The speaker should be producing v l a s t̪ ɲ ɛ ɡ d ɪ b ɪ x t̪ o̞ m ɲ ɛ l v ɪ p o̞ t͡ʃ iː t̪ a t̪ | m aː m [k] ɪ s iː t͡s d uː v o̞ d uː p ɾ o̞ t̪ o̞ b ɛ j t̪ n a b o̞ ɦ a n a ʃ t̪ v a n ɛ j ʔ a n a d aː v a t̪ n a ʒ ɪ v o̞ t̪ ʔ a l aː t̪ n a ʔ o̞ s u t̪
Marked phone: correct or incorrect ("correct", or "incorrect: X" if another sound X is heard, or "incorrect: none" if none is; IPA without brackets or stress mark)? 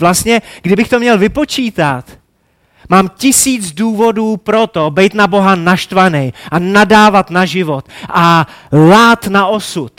incorrect: c